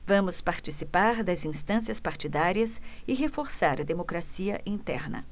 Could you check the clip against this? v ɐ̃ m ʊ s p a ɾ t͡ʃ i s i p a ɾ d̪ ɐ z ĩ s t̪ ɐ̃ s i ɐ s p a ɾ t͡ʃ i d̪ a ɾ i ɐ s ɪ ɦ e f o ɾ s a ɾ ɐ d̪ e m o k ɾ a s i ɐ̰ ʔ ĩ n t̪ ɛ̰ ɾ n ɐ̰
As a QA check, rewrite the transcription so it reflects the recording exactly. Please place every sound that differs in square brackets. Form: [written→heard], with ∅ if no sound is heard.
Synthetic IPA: v ɐ̃ m ʊ s p a ɾ t͡ʃ i s i p a ɾ d̪ ɐ z ĩ s t̪ ɐ̃ s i ɐ s p a ɾ t͡ʃ i d̪ a ɾ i ɐ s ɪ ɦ e f o ɾ s a ɾ ɐ d̪ e m o k ɾ a s i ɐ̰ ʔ ĩ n t̪ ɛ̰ ɾ n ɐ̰